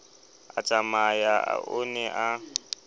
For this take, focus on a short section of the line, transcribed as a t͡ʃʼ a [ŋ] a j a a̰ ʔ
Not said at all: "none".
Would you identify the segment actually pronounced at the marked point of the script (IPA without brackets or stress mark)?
m